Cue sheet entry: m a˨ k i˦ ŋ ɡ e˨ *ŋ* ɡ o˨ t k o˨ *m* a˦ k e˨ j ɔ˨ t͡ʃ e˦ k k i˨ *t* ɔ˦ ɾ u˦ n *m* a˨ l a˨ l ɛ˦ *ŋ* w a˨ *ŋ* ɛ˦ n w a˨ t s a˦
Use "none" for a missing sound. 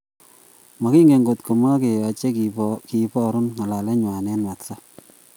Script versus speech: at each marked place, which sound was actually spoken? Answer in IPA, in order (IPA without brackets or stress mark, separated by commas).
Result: ŋ, m, p, ŋ, ɲ, n